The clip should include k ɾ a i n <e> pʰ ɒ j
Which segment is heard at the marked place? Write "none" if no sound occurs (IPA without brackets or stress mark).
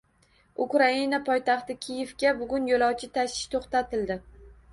a